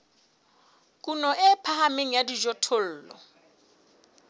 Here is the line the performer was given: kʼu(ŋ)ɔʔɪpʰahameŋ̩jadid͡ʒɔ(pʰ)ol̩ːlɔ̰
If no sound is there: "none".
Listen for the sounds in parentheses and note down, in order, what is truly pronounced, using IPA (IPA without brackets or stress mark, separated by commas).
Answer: n, tʰ